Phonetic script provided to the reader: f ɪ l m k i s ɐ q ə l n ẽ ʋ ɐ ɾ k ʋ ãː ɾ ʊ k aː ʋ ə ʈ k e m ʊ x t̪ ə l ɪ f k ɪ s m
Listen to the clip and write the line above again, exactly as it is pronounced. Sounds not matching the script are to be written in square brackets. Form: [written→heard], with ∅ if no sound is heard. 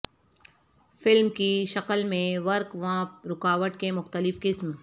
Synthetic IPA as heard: f ɪ l m k i [s→ʃ] ɐ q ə l [n→m] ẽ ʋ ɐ ɾ k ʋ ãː ɾ ʊ k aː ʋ ə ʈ k e m ʊ x t̪ ə l ɪ f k ɪ s m